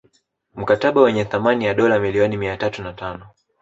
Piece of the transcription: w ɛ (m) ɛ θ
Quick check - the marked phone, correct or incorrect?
incorrect